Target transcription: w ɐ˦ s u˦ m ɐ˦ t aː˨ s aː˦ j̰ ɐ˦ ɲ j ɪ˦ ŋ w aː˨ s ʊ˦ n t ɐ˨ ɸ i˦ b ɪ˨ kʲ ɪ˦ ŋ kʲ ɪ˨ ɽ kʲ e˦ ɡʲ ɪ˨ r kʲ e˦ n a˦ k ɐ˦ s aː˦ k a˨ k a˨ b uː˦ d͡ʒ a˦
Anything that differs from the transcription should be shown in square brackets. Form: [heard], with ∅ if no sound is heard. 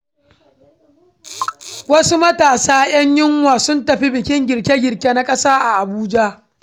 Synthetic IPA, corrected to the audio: w ɐ˦ s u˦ m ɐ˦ t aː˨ s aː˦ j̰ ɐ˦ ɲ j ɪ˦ ŋ w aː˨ s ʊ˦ n t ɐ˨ ɸ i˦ b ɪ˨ kʲ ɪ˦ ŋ [ɡʲ] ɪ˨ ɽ kʲ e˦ ɡʲ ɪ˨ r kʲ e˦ n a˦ [kʼ] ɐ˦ s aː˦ [ʔ] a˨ [ʔ] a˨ b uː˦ d͡ʒ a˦

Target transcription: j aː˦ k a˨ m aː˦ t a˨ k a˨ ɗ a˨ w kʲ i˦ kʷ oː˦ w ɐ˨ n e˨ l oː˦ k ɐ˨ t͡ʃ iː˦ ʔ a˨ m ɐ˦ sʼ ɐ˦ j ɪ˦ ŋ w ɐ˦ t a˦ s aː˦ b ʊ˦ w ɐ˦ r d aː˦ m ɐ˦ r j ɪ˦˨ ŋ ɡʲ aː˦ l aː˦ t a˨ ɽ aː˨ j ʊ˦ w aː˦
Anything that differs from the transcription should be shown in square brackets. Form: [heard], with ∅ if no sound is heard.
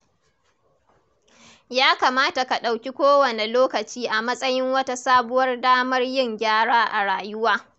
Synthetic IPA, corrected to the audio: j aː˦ k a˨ m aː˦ t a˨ k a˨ ɗ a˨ w kʲ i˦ kʷ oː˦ w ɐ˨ n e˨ l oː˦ k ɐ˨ t͡ʃ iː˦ ʔ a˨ m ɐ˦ sʼ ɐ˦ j ɪ˦ ŋ w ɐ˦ t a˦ s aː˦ b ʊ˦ w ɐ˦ r d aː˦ m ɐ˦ r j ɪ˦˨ ŋ ɡʲ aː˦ [ɽ] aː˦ [ʔ] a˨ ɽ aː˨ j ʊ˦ w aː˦

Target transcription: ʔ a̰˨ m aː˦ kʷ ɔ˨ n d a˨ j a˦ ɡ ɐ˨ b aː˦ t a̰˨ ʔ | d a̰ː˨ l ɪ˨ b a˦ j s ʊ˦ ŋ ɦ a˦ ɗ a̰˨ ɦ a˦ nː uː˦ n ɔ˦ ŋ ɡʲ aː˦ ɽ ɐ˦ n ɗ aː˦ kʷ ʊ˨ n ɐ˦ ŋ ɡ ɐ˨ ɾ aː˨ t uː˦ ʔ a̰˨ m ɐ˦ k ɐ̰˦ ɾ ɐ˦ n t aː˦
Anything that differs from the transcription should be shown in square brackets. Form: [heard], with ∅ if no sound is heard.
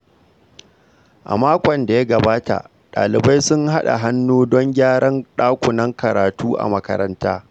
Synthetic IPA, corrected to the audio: ʔ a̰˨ m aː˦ kʷ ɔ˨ n d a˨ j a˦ ɡ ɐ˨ b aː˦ t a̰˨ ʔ | [ɗ] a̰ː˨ l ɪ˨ b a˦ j s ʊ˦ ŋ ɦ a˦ ɗ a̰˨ ɦ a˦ nː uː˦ [d] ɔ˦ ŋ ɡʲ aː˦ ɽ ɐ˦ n ɗ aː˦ kʷ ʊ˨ n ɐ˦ ŋ [k] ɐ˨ ɾ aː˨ t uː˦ ʔ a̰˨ m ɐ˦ k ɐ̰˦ ɾ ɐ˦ n t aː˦

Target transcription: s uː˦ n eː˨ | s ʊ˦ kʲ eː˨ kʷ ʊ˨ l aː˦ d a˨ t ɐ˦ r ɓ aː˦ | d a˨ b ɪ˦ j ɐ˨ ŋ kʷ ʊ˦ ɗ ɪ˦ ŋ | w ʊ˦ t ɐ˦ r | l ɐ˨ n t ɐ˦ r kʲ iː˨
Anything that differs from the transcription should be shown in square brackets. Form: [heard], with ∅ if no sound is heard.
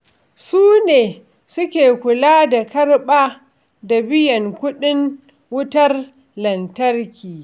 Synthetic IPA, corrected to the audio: s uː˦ n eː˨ | s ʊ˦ kʲ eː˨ kʷ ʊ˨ l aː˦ d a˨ [k] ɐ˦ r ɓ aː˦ | d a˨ b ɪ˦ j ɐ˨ ŋ kʷ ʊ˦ ɗ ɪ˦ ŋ | w ʊ˦ t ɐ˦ r | l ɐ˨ n t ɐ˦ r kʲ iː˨

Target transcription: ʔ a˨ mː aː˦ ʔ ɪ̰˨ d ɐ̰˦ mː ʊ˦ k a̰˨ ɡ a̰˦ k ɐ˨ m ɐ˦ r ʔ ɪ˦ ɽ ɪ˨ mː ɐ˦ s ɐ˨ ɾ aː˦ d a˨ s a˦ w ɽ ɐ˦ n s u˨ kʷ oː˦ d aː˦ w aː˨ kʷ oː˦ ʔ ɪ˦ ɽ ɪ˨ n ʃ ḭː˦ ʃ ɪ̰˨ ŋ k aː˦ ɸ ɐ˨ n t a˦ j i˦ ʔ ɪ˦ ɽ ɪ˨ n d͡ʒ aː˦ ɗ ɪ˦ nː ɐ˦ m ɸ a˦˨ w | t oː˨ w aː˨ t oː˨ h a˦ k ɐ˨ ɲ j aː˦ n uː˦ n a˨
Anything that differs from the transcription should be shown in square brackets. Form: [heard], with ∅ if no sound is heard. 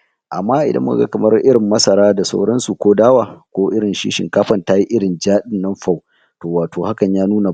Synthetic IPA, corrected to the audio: ʔ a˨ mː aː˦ ʔ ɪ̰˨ d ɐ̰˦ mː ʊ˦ k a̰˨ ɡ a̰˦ k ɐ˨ m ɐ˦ r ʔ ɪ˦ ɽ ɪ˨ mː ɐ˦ s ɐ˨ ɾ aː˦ d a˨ s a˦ w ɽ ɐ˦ n s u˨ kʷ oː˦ d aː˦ w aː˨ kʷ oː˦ ʔ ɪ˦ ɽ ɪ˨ n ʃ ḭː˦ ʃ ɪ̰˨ ŋ k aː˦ ɸ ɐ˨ n t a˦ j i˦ ʔ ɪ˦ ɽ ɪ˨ n d͡ʒ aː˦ ɗ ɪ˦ nː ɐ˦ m ɸ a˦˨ w | t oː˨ w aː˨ t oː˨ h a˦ k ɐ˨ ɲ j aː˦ n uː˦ n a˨

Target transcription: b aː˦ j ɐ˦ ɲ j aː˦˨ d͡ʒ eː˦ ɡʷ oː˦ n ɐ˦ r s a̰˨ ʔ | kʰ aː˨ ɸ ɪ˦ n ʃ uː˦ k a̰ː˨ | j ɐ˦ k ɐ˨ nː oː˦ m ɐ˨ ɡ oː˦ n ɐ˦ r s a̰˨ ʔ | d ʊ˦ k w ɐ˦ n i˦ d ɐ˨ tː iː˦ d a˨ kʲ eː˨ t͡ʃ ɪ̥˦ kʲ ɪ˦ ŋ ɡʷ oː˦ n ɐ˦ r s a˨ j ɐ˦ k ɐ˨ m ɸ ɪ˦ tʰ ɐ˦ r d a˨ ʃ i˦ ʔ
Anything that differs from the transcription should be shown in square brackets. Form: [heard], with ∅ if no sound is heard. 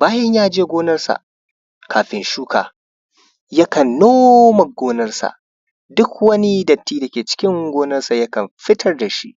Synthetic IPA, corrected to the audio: b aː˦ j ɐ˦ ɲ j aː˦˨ d͡ʒ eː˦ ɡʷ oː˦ n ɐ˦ r s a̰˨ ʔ | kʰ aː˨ ɸ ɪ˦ n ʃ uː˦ k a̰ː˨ | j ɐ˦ k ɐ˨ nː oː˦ m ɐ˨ ɡ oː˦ n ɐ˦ r s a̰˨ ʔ | d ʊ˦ k w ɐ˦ n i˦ d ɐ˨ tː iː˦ d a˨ kʲ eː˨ t͡ʃ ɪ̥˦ kʲ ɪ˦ ŋ ɡʷ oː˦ n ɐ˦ r s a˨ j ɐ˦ k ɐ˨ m ɸ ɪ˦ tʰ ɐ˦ r d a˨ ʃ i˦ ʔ

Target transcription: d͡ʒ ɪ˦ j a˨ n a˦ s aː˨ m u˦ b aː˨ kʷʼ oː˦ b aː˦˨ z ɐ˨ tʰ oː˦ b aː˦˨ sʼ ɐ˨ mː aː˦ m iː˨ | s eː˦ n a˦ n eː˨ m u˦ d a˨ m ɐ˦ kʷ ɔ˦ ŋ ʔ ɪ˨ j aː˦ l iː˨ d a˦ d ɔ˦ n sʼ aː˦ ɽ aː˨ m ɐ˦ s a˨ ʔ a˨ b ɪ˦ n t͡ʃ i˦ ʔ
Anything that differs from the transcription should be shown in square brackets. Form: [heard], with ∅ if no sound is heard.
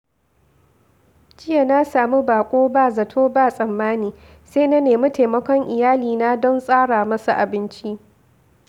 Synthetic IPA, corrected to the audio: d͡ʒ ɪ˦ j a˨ n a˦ s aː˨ m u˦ b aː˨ kʷʼ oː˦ b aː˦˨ z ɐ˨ tʰ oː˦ b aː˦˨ sʼ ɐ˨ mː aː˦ [n] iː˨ | s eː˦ n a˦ n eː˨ m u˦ [t] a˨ m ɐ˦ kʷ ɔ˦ ŋ ʔ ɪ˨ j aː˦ l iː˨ [n] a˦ d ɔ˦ n sʼ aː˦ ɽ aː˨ m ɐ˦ s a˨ ʔ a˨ b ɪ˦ n t͡ʃ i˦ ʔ

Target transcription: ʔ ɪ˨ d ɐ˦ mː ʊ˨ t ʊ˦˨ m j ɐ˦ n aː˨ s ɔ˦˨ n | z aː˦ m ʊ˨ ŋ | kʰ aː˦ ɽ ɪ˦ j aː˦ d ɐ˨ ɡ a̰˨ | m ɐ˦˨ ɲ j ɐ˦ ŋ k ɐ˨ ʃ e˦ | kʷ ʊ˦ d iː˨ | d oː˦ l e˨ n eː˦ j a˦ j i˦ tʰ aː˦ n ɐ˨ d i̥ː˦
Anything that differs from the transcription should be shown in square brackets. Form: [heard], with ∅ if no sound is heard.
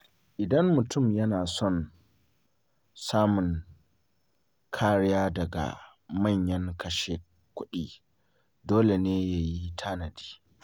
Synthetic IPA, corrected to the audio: ʔ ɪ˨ d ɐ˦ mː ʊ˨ t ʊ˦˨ m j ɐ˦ n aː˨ s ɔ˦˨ n | [s] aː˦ m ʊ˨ ŋ | kʰ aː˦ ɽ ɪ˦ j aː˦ d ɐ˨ ɡ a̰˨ | m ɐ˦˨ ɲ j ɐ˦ ŋ k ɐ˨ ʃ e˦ | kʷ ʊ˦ [ɗ] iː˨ | d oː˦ l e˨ n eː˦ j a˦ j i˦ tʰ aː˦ n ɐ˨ d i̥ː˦

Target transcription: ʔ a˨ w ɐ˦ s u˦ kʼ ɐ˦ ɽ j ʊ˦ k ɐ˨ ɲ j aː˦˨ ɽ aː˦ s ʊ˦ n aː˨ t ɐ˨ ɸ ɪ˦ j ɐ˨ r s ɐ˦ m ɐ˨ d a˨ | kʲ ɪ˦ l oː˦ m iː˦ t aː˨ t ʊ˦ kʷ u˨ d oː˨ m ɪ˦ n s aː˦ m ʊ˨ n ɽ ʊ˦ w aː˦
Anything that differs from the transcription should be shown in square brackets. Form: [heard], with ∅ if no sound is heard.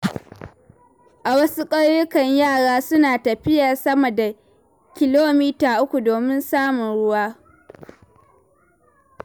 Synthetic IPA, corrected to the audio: ʔ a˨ w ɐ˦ s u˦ kʼ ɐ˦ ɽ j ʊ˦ k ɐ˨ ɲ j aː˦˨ ɽ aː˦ s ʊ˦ n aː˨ t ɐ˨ ɸ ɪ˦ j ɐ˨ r s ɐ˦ m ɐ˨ d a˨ | kʲ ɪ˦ l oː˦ m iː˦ t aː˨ [ʔ] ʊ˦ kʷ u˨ d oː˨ m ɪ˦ n s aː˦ m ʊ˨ n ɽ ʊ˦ w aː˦

